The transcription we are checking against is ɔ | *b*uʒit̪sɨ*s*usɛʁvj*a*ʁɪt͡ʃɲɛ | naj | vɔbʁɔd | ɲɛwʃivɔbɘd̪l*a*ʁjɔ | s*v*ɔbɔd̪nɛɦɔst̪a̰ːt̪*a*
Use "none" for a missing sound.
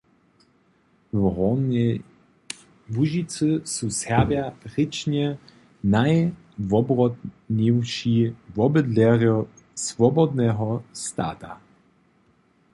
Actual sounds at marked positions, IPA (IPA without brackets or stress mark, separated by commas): v, s, a, ɛ, v, a